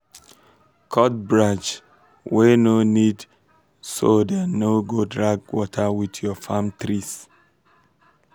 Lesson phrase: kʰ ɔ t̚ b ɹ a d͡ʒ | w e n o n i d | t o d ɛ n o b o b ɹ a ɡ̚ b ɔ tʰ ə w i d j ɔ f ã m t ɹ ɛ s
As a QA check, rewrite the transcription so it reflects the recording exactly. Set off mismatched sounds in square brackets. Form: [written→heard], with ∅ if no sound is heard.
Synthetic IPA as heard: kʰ ɔ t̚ b ɹ a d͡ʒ | w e n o n i d | [t→s] o d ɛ n o [b→ɡ] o [b→d] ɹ a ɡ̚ [b→w] ɔ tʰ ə w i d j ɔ f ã m t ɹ [ɛ→i] s